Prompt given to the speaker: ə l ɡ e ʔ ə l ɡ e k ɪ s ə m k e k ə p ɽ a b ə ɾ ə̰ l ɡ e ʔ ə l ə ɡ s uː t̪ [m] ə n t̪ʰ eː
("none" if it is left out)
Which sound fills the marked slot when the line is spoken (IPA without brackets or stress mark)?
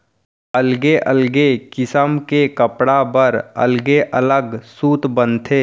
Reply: b